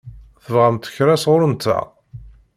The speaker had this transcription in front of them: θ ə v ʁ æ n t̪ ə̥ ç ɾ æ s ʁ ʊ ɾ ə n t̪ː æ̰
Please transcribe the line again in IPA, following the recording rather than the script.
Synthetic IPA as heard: θ ə v ʁ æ m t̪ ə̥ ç ɾ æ s ʁ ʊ ɾ ə n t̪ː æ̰